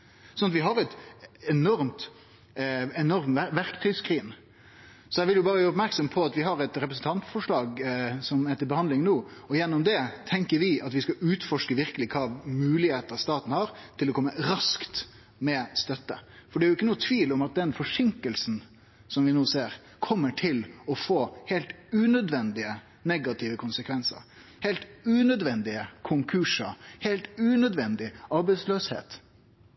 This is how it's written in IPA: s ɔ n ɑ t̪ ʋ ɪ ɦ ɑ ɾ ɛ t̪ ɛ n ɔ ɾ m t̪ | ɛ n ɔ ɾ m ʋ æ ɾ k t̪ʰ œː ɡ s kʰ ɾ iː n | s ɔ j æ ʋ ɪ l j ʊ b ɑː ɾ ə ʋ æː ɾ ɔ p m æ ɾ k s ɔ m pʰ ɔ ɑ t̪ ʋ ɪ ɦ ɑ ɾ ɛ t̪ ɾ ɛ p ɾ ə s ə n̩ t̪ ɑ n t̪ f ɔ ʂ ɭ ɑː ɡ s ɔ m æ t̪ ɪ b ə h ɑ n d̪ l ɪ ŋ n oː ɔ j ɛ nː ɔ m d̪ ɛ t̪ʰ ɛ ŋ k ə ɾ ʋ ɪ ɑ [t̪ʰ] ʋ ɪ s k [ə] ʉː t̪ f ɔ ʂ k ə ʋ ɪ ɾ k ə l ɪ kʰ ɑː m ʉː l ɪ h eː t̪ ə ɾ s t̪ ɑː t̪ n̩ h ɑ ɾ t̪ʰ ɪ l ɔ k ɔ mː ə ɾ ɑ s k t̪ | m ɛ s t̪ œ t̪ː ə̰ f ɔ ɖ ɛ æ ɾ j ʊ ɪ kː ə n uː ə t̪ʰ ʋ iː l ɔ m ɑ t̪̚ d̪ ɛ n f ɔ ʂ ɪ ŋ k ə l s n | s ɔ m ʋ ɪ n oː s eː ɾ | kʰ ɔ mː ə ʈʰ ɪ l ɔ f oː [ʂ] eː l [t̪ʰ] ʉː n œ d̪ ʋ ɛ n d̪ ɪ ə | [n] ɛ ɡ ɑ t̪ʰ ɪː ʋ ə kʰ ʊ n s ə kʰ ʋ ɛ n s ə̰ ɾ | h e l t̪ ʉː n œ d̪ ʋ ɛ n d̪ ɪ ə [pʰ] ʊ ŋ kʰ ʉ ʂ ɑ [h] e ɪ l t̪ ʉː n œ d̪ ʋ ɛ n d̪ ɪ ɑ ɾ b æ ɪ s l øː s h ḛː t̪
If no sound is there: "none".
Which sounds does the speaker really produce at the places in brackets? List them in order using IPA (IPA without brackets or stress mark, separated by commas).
t̪, ɑ, h, t̪, n, kʰ, h